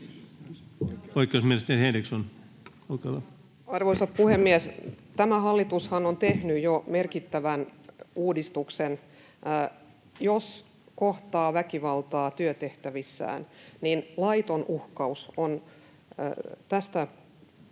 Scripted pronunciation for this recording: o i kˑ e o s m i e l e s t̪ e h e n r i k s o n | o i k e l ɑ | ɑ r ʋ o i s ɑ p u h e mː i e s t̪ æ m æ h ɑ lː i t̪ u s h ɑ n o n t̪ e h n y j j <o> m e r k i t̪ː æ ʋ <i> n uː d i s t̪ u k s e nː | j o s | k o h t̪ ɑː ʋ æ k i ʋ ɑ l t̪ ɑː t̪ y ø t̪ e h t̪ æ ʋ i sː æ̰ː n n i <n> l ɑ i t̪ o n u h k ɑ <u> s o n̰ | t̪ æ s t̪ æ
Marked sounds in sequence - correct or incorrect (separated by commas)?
correct, incorrect, correct, correct